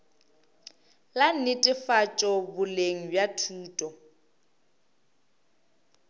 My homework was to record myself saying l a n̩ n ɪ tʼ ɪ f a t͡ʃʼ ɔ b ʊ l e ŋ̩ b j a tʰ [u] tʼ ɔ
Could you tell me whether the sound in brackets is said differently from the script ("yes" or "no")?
yes